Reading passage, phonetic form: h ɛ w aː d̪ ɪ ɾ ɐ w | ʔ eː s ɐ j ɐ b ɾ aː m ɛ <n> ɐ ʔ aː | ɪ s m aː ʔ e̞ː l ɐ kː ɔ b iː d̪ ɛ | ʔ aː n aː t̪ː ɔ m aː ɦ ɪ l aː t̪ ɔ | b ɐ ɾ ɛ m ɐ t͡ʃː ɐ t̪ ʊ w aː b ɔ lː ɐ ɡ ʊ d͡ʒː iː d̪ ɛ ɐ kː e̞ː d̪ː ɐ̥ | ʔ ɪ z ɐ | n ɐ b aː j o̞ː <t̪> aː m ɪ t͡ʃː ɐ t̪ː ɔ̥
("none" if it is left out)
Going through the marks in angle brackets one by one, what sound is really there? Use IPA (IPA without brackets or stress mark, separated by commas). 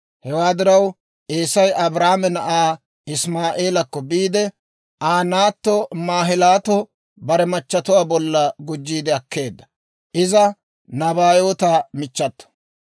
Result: n, t̪